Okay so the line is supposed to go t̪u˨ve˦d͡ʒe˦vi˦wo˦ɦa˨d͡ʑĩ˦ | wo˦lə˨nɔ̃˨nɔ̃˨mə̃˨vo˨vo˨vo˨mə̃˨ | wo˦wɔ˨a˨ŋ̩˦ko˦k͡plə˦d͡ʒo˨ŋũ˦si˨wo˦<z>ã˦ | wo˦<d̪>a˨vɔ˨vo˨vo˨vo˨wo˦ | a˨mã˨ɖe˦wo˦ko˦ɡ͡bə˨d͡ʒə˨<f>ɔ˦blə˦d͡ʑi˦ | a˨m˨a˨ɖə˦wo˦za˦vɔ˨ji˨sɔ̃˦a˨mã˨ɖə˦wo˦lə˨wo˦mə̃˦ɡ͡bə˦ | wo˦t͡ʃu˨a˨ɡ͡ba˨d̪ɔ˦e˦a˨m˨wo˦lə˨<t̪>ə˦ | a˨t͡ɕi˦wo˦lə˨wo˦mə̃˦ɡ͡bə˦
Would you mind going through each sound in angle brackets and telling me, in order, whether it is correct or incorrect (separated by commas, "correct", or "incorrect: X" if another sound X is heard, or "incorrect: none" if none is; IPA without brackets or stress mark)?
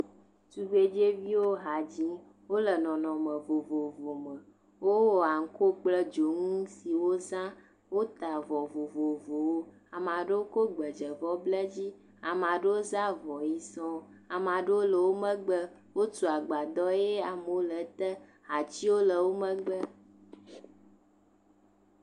correct, incorrect: t̪, incorrect: v, correct